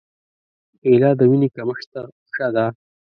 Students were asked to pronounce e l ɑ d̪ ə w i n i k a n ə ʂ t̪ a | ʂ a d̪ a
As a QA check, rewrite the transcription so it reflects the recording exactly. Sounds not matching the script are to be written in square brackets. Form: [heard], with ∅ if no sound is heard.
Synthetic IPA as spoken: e l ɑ d̪ ə w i n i k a [m] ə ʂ t̪ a | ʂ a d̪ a